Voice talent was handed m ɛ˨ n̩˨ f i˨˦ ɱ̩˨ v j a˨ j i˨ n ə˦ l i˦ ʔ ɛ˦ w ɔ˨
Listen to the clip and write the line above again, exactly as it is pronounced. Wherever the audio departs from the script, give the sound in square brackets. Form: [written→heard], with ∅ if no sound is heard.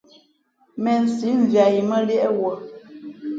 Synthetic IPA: m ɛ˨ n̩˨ [f→s] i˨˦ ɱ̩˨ v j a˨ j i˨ [n→m] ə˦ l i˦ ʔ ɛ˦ w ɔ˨